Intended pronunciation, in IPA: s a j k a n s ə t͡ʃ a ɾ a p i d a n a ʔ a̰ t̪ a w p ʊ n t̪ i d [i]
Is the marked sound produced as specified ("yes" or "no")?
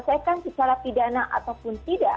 no